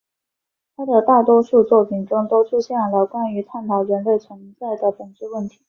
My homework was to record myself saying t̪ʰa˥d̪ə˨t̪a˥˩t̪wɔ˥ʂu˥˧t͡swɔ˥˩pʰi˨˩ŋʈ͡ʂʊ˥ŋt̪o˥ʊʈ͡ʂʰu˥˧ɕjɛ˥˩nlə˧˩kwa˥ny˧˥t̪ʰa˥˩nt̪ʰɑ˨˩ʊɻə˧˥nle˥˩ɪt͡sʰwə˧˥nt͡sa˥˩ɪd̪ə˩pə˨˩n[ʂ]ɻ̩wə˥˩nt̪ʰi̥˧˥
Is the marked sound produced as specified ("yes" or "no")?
no